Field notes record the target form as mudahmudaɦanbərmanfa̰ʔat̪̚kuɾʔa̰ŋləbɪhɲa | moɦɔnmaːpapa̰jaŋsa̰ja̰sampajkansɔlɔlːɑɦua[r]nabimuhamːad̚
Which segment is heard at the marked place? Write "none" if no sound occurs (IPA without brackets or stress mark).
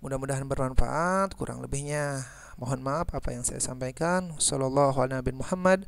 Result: l